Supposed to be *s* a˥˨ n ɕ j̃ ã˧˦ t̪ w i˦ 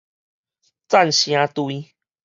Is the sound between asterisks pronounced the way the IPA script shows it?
no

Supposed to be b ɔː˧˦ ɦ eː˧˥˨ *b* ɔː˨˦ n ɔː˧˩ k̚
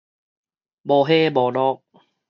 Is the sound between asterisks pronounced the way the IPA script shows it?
yes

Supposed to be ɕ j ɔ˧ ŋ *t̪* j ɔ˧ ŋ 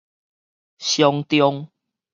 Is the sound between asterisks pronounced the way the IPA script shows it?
yes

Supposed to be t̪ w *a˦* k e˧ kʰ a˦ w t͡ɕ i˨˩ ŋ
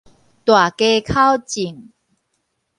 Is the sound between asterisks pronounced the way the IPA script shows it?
no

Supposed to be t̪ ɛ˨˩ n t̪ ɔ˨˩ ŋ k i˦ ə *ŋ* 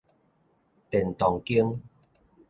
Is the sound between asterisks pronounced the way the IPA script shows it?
yes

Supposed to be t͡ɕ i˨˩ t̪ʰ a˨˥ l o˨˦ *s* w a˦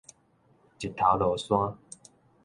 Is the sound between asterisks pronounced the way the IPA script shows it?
yes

